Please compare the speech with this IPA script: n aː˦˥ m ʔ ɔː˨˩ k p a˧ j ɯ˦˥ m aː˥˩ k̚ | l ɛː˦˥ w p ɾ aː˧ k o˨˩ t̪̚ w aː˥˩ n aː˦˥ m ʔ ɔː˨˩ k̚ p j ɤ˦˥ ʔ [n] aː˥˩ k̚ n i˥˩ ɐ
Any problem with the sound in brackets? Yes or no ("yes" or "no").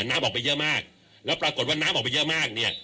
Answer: yes